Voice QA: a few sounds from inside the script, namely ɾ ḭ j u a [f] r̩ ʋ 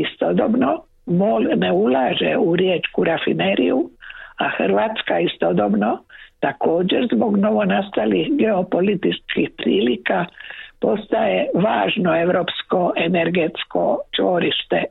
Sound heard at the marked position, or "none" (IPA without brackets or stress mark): x